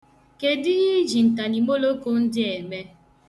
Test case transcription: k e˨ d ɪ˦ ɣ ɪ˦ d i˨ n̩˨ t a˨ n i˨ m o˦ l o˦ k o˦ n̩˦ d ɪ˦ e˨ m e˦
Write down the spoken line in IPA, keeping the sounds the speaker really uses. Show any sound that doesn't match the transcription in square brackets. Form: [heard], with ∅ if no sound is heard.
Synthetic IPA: k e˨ d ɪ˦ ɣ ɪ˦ [d͡ʒ] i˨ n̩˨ t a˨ n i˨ m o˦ l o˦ k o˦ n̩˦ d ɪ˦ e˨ m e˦